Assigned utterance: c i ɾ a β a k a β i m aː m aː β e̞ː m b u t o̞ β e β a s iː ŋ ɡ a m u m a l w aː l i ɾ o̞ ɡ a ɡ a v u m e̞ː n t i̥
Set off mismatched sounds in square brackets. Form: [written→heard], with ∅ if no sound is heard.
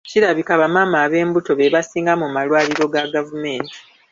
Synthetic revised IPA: c i ɾ a β [a→i] k a β [i→a] m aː m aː β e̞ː m b u t o̞ β e β a s iː ŋ ɡ a m u m a l w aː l i ɾ o̞ ɡ a ɡ a v u m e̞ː n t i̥